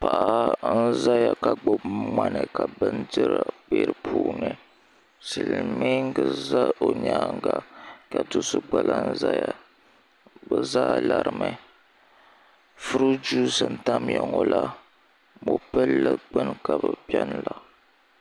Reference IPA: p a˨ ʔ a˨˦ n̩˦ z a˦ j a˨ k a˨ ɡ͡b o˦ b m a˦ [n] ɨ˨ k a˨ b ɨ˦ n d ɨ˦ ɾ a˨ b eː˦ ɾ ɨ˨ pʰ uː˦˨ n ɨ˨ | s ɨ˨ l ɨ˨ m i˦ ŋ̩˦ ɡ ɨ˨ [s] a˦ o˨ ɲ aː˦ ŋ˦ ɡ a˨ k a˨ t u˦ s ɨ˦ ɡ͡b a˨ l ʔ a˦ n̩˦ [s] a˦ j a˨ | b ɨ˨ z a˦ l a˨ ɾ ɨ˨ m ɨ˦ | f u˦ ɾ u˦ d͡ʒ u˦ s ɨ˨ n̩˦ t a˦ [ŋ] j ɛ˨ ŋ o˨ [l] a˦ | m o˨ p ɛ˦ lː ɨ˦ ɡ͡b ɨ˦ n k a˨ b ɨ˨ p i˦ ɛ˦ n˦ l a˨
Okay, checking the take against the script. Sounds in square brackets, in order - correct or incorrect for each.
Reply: correct, incorrect: z, incorrect: z, incorrect: m, correct

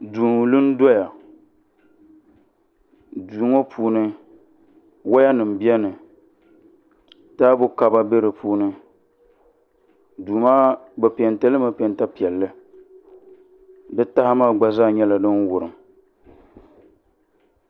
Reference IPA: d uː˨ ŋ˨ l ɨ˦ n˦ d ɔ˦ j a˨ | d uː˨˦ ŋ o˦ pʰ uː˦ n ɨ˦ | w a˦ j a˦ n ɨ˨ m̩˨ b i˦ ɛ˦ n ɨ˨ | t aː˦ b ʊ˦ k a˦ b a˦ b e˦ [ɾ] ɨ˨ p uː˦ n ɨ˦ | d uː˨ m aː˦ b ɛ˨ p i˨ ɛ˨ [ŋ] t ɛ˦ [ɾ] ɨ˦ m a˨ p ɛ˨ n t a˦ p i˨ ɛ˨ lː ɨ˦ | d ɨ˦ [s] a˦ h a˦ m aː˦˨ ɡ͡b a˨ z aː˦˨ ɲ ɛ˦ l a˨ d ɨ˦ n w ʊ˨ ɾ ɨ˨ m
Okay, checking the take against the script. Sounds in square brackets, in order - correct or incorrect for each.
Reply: correct, incorrect: n, incorrect: l, incorrect: t

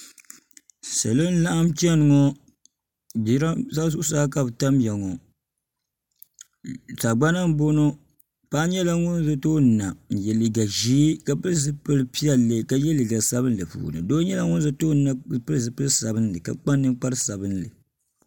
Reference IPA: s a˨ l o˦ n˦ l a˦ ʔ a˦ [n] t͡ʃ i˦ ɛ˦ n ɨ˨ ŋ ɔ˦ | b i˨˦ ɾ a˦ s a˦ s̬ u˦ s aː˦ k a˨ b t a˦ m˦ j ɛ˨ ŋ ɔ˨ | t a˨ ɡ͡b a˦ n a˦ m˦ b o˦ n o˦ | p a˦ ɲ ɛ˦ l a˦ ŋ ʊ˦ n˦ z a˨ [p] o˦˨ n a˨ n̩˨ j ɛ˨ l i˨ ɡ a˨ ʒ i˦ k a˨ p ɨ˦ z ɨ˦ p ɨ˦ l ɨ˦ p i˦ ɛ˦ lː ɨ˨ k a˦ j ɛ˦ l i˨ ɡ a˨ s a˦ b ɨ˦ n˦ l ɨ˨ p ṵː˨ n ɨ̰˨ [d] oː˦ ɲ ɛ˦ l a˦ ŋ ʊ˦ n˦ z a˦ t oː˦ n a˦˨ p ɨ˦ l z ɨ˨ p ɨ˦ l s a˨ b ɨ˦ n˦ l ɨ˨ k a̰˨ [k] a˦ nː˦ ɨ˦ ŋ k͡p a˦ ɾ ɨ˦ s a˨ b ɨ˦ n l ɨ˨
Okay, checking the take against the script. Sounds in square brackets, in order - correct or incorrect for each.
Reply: incorrect: m, incorrect: t, correct, incorrect: k͡p

